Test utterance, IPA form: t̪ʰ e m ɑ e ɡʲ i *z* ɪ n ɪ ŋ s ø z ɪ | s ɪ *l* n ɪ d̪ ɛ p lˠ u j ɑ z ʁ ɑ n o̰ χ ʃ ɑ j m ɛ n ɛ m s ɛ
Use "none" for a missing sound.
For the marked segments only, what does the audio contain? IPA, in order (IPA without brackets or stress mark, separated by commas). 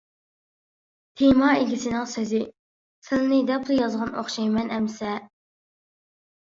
s, l